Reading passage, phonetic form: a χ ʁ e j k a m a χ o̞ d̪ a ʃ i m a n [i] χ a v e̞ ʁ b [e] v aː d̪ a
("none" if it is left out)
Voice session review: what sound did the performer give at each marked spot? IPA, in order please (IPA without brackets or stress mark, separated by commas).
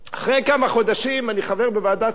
i, e